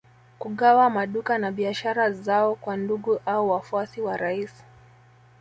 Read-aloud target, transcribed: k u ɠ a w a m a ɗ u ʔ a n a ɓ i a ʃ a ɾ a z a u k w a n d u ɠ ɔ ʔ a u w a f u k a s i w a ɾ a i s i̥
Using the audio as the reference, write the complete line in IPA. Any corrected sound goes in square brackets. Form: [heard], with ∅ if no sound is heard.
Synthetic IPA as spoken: k u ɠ a w a m a ɗ u [k] a n a ɓ i a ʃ a ɾ a z a [ɔ] k w a n d u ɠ [u] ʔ a u w a f u [∅] a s i w a ɾ a i s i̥